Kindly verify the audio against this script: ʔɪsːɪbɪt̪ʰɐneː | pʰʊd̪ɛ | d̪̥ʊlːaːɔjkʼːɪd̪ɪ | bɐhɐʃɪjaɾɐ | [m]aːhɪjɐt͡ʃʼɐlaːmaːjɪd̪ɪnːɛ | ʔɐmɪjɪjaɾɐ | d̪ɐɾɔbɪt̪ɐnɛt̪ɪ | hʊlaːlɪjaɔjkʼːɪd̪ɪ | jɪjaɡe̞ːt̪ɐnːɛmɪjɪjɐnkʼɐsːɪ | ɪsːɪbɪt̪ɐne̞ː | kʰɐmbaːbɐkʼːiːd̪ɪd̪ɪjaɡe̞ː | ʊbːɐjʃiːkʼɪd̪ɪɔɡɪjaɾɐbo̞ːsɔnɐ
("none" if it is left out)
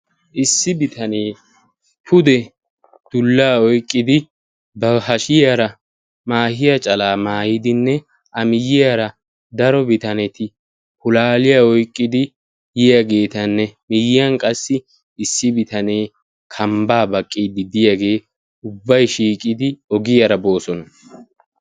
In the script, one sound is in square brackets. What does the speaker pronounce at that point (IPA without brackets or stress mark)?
m